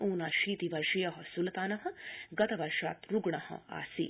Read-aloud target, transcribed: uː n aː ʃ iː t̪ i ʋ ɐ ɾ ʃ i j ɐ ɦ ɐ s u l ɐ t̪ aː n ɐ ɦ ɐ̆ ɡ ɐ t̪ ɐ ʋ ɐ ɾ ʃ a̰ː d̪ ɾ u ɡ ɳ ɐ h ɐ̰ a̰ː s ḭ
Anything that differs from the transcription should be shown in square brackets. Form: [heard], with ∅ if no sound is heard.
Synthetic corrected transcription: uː n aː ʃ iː t̪ i ʋ ɐ ɾ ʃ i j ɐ ɦ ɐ s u l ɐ t̪ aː n ɐ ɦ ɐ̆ ɡ ɐ t̪ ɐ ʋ ɐ ɾ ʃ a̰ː [t̪] ɾ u ɡ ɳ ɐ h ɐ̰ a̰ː s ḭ